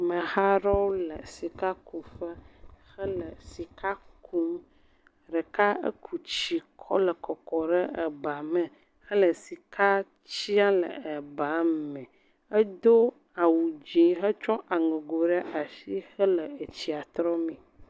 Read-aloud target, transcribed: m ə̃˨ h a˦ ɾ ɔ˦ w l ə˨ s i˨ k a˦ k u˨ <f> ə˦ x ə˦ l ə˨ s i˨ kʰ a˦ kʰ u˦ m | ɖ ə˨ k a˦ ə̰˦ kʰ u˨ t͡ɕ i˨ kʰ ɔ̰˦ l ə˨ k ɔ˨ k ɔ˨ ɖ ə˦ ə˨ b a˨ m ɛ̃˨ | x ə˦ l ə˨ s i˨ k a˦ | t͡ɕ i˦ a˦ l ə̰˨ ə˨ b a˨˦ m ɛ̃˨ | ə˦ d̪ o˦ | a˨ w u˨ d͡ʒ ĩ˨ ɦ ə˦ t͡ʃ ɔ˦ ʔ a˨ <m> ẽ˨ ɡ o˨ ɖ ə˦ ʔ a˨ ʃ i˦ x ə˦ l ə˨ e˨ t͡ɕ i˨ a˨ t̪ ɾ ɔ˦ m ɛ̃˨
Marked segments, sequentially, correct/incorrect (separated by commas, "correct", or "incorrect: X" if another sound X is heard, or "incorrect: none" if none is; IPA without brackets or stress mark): correct, incorrect: ŋ